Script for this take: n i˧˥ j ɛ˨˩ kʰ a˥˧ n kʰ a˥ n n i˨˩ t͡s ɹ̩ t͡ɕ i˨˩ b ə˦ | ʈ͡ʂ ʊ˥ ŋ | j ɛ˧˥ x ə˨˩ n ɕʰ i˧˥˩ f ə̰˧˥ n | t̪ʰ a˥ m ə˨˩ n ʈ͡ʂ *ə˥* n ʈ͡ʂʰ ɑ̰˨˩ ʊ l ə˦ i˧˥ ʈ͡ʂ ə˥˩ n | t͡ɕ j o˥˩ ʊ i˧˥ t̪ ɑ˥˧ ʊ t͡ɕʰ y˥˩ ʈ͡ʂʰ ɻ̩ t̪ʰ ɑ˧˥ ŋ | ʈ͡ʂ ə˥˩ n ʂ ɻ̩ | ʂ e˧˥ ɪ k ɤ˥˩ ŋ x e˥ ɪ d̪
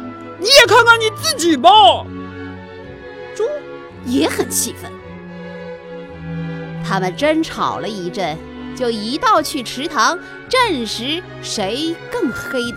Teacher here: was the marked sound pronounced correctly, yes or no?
yes